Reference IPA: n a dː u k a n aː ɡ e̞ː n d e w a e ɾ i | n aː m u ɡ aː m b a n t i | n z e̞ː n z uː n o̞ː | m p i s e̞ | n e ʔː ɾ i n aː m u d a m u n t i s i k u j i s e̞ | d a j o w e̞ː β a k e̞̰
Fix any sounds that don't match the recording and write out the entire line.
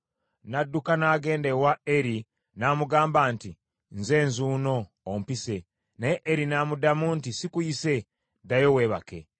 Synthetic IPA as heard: n a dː u k a n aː ɡ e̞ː n d e w a e ɾ i | n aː m u ɡ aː m b a n t i | n z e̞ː n z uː n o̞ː | m p i s e̞ | n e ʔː ɾ i n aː m u d a m u n t i s i k u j i s e̞ | d a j o w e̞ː β a k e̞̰